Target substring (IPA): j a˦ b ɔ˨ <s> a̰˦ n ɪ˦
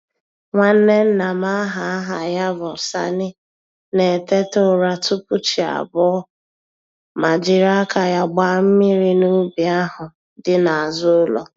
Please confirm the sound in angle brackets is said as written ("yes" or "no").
yes